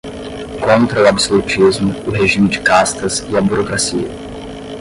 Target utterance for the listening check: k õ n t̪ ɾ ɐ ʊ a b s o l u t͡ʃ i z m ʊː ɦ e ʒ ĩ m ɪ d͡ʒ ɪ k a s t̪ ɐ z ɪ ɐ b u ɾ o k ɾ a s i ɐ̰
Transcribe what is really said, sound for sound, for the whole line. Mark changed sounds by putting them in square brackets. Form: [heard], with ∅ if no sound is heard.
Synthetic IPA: k õ n t̪ ɾ ɐ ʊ a b s o l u t͡ʃ i z m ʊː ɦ e ʒ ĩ m ɪ d͡ʒ ɪ k a s t̪ ɐ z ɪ ɐ b u ɾ o k ɾ a s i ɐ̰

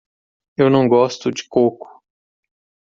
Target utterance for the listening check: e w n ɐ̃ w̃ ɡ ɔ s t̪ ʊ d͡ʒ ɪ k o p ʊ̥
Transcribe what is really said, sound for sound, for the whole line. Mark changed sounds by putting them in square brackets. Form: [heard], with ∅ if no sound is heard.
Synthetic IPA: e w n ɐ̃ w̃ ɡ ɔ s t̪ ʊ d͡ʒ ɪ k o [k] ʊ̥

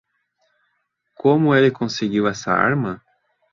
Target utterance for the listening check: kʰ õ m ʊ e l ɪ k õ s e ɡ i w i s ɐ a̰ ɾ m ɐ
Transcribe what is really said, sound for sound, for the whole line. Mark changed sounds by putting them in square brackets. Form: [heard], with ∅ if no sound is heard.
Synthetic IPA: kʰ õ m ʊ e l ɪ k õ s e ɡ i w [ɛ] s ɐ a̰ ɾ m ɐ

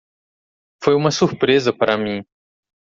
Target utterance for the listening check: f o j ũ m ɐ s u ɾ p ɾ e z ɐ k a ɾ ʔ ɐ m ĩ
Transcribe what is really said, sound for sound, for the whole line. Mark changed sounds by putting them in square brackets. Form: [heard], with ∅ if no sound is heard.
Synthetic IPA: f o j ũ m ɐ s u ɾ p ɾ e z ɐ [p] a ɾ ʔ ɐ m ĩ

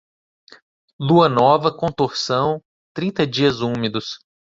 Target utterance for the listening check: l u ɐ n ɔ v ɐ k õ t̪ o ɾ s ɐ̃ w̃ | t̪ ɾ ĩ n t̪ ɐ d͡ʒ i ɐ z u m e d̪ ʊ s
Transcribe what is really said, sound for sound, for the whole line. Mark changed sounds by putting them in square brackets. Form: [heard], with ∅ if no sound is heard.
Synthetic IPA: l u ɐ n ɔ v ɐ k õ t̪ o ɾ s ɐ̃ w̃ | t̪ ɾ ĩ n t̪ ɐ d͡ʒ i ɐ z u m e d̪ ʊ s

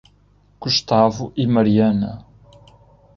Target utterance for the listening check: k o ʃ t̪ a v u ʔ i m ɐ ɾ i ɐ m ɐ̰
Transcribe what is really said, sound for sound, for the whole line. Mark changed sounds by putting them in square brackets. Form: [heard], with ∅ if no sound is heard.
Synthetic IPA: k [u] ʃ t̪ a v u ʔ i m ɐ ɾ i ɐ [n] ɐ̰

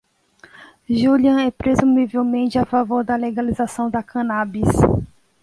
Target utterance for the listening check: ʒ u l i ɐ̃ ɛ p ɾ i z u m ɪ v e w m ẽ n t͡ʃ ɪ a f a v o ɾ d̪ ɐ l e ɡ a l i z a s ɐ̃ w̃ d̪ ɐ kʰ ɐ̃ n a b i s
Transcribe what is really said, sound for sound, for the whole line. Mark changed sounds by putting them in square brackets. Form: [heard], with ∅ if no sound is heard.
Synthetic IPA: ʒ u l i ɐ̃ ɛ p ɾ [e] z u m [i] v e w m ẽ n t͡ʃ ɪ a f a v o ɾ d̪ ɐ l e ɡ a l i z a s ɐ̃ w̃ d̪ ɐ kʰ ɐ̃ n a b i s

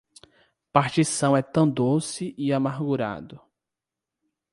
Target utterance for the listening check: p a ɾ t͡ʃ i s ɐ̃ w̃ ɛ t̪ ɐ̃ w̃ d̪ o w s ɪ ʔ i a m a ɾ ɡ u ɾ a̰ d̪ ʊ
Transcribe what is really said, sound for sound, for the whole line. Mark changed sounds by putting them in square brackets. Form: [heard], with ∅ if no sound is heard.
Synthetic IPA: p a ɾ t͡ʃ i s ɐ̃ w̃ ɛ t̪ ɐ̃ w̃ d̪ o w s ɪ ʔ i a m a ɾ ɡ u ɾ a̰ d̪ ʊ

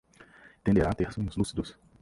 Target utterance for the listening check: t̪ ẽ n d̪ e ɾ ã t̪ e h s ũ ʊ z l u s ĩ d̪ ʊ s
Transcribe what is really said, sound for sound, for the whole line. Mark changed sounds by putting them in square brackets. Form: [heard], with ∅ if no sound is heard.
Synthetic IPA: t̪ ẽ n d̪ e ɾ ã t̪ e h s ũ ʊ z l u s [i] d̪ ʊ s

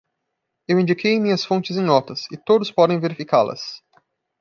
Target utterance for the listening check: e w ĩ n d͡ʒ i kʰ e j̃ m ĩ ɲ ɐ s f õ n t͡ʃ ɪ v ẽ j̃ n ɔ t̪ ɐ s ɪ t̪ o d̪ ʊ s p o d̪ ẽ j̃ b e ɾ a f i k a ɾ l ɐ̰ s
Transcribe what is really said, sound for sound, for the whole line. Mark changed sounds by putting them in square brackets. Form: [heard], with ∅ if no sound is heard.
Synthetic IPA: e w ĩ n d͡ʒ i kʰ e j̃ m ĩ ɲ ɐ s f õ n t͡ʃ ɪ [z] ẽ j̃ n ɔ t̪ ɐ s ɪ t̪ o d̪ ʊ s p [ɔ] d̪ ẽ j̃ [v] e ɾ [i] f i k a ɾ l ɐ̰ s

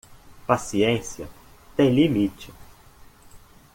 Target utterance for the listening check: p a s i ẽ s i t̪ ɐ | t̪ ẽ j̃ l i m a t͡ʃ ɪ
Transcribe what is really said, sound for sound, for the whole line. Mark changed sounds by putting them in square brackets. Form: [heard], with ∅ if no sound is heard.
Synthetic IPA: p a s i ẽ s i [∅] ɐ | t̪ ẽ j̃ l i m [i] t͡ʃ ɪ

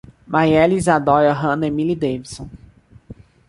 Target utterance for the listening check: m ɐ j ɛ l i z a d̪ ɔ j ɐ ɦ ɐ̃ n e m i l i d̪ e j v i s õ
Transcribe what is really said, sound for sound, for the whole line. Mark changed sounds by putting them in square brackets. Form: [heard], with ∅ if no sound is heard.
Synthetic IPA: m [a] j ɛ l i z a d̪ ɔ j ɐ ɦ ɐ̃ n e m i l i d̪ e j v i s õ

